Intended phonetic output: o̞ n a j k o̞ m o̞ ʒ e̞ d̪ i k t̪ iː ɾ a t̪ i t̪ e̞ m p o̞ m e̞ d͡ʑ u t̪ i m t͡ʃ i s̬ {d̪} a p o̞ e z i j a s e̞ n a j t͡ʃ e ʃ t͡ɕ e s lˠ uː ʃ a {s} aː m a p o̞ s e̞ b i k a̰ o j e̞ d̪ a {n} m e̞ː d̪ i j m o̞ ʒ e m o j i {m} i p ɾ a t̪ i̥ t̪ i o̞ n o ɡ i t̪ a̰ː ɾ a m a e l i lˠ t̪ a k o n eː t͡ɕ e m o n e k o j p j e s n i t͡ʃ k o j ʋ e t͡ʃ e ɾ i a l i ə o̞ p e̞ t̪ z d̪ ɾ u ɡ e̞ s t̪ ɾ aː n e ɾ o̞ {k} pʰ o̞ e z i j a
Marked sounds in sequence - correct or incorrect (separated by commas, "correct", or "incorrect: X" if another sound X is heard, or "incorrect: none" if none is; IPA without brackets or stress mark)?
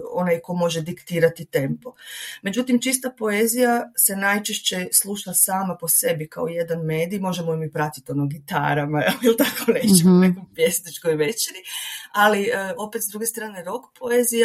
incorrect: t̪, correct, correct, correct, correct